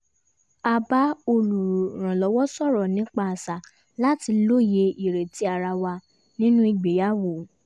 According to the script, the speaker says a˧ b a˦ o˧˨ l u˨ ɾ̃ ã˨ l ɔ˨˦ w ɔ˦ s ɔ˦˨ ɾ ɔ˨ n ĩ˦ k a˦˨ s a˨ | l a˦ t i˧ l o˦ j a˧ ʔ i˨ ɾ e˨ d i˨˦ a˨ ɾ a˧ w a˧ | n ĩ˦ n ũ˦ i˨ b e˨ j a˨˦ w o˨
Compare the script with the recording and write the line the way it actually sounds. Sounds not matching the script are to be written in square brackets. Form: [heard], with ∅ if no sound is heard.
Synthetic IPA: a˧ b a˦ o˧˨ l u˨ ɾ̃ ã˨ l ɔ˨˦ w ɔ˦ s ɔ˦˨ ɾ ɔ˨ n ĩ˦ [k͡p] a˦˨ s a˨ | l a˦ t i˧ l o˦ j [e˧] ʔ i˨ ɾ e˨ [t] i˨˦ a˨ ɾ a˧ w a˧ | n ĩ˦ n ũ˦ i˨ [ɡ͡b] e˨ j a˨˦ w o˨

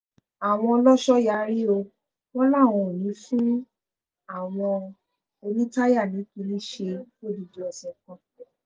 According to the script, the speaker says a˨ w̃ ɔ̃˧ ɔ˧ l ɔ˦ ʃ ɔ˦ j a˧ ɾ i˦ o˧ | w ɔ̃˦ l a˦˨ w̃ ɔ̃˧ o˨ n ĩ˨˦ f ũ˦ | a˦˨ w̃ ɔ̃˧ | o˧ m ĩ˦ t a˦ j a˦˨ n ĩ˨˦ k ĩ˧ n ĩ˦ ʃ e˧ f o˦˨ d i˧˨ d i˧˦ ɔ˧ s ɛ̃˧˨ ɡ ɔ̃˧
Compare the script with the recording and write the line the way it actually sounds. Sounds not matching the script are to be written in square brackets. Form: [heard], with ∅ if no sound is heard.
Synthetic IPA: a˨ w̃ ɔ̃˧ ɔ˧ l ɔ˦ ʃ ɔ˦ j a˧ ɾ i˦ o˧ | w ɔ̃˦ l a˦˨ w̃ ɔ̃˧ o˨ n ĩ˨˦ f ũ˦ | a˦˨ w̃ ɔ̃˧ | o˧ [n] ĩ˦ t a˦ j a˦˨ n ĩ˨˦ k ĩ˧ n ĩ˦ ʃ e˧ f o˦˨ d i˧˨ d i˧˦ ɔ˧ s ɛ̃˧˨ [k] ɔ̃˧

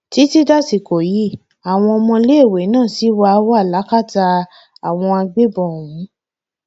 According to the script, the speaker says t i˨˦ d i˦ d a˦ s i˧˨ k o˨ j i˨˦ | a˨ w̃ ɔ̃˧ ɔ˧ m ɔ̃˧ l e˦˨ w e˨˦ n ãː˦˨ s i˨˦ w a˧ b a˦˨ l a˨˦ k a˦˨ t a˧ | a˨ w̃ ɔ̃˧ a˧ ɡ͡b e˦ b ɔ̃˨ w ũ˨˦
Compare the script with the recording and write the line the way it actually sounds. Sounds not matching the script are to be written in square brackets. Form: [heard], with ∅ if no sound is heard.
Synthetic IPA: t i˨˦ [t] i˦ d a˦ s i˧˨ k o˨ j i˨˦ | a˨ w̃ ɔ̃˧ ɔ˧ m ɔ̃˧ l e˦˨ w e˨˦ n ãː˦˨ s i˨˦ w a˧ [w] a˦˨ l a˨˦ k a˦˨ t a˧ | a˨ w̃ ɔ̃˧ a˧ ɡ͡b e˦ b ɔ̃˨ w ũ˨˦

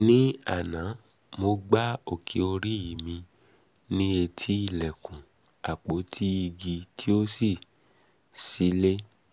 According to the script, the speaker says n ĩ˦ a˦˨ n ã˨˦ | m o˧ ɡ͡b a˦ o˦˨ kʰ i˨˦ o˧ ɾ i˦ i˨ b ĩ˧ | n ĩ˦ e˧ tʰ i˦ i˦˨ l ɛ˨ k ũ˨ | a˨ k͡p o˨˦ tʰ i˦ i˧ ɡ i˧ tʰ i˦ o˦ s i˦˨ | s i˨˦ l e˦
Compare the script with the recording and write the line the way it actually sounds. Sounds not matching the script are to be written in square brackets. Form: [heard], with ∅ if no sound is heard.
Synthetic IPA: n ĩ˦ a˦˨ n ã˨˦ | m o˧ ɡ͡b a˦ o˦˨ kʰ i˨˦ o˧ ɾ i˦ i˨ [m] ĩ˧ | n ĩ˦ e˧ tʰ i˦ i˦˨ l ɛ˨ k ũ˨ | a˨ k͡p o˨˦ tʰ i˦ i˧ ɡ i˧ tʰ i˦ o˦ s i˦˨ | s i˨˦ l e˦

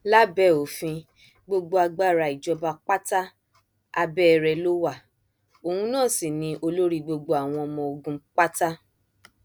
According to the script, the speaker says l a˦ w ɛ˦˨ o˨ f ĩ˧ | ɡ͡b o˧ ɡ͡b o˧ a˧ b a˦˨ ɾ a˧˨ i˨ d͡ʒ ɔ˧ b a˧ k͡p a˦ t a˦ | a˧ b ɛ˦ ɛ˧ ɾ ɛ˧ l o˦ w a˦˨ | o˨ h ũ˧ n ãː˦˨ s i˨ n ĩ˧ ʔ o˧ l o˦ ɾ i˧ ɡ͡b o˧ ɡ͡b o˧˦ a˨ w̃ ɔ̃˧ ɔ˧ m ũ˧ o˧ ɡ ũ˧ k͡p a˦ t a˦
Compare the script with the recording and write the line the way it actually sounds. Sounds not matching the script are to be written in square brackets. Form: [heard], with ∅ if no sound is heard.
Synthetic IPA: l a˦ [b] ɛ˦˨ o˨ f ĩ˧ | ɡ͡b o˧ ɡ͡b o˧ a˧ [ɡ͡b] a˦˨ ɾ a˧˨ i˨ d͡ʒ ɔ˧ b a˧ k͡p a˦ t a˦ | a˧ b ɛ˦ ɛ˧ ɾ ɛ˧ l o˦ w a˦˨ | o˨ h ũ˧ n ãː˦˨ s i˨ n ĩ˧ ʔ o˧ l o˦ ɾ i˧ ɡ͡b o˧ ɡ͡b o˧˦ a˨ w̃ ɔ̃˧ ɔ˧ m [ɔ̃˧] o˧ ɡ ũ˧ k͡p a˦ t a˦

